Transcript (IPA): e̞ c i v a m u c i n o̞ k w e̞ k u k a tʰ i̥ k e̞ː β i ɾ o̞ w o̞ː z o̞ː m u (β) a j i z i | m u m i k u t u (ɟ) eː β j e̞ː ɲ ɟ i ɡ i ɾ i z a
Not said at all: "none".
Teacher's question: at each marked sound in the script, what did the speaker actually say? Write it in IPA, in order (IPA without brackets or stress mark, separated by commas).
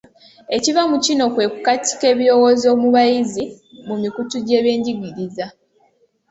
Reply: β, ɟ